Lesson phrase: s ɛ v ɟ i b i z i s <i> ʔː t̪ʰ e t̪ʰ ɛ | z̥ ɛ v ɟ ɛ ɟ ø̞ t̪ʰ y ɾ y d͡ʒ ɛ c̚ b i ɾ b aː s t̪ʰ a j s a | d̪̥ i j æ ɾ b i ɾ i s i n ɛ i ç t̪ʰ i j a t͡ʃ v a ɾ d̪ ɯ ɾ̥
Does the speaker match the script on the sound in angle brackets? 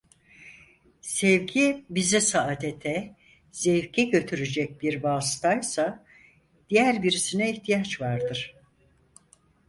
no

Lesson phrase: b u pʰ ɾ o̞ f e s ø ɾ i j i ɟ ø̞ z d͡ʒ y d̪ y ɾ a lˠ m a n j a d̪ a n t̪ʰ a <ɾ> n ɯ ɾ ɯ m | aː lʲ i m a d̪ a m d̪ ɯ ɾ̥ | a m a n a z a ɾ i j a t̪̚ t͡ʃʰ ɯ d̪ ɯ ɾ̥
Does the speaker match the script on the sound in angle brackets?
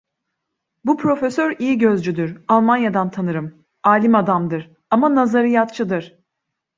no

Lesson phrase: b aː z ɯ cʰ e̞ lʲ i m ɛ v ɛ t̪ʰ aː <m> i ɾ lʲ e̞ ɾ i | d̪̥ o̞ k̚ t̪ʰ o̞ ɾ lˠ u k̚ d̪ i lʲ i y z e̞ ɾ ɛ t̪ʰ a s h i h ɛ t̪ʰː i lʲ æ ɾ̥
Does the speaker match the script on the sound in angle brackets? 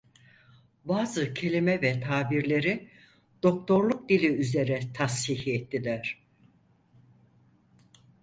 no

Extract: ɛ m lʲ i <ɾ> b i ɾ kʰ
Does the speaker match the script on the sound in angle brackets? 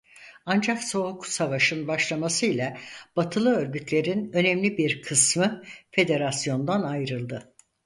no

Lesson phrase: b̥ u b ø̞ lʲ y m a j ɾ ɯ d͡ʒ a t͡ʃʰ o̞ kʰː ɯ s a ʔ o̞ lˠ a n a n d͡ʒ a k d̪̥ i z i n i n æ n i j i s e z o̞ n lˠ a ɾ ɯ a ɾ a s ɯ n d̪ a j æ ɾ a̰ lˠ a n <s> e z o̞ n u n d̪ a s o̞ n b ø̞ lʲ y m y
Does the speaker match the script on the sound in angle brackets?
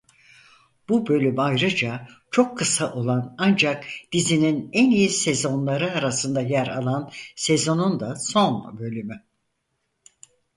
yes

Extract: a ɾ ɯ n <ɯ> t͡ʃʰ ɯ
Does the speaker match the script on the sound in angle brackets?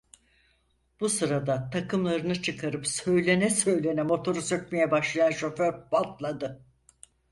yes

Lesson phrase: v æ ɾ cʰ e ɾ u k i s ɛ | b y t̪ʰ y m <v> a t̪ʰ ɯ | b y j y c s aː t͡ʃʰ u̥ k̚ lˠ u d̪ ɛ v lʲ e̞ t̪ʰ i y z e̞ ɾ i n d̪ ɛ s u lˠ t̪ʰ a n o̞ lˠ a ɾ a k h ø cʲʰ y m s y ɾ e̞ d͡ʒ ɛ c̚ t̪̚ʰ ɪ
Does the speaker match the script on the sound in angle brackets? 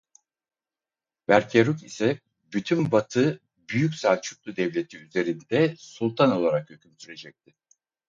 no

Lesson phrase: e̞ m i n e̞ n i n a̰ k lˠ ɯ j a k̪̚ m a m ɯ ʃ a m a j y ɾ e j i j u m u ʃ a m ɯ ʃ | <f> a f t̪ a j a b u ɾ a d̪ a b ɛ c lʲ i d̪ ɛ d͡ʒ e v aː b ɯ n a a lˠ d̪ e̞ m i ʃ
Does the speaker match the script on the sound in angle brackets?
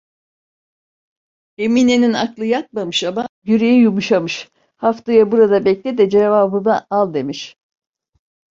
no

